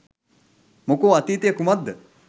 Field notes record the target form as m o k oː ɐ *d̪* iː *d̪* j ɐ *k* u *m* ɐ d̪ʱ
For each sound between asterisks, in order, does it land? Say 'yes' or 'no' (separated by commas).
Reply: no, no, yes, yes